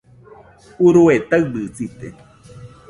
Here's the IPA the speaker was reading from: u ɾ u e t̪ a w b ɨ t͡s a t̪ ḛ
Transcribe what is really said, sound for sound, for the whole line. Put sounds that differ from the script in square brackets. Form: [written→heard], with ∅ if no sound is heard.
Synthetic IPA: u ɾ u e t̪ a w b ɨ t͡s [a→i] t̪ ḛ